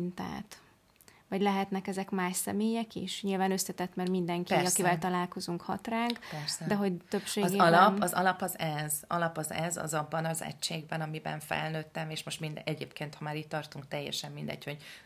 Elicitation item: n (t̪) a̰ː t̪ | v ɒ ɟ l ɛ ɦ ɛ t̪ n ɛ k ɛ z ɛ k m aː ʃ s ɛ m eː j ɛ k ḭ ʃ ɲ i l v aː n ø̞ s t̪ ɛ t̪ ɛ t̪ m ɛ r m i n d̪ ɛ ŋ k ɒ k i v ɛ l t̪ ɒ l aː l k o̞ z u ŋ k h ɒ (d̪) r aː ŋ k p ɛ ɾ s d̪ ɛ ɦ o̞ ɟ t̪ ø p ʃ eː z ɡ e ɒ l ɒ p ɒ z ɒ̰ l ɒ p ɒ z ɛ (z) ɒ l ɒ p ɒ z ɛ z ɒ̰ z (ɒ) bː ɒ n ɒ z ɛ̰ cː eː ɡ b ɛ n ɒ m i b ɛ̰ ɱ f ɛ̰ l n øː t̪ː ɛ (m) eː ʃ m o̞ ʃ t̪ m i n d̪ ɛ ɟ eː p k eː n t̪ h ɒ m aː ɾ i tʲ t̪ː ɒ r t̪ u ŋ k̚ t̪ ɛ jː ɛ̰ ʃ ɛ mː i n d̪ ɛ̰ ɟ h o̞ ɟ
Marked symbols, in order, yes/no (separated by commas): yes, no, yes, yes, yes